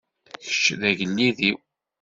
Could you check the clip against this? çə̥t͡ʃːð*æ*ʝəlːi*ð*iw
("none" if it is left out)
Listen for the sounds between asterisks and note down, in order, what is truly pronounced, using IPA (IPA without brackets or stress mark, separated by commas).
æ, ð